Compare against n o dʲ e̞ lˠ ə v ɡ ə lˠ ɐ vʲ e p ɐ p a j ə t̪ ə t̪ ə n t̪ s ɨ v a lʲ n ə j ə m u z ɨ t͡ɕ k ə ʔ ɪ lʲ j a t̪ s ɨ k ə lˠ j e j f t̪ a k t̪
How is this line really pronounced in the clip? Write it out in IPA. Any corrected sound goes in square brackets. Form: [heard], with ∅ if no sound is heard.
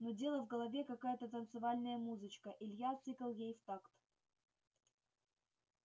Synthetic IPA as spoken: n o dʲ e̞ lˠ ə v ɡ ə lˠ ɐ vʲ e [k] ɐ [k] a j ə t̪ ə t̪ ə n t̪ s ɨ v a lʲ n ə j ə m u z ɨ t͡ɕ k ə ʔ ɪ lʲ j a t̪ s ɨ k ə lˠ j e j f t̪ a k t̪